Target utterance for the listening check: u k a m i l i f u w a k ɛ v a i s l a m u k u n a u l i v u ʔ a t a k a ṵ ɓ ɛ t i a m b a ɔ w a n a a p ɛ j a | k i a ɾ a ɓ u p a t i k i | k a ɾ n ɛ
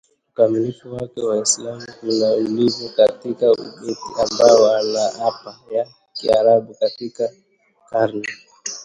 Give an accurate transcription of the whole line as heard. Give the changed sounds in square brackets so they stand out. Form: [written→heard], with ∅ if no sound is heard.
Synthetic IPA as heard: u k a m i l i f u w a k ɛ [v→w] a i s l a m u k u n a u l i v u [ʔ→k] a t [a→i] k a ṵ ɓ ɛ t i a m b a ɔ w a n a a p [ɛ→a] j a | k i a ɾ a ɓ u [p→k] a t i k [i→a] | k a ɾ n ɛ